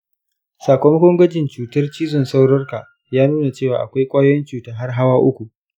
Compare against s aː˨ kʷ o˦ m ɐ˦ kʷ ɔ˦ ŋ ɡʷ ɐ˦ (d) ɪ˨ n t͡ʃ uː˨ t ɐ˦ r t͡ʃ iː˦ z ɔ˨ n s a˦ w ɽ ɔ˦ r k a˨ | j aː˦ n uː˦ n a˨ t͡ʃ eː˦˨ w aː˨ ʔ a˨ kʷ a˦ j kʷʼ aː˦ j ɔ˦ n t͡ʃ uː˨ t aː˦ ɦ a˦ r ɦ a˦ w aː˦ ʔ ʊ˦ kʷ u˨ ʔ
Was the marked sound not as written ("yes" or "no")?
yes